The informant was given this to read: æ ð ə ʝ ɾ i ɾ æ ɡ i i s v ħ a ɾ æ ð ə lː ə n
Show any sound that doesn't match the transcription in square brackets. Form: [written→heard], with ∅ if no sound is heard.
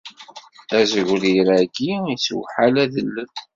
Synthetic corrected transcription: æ [ð→z] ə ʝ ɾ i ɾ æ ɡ i i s [v→w] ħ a [ɾ→l] æ ð ə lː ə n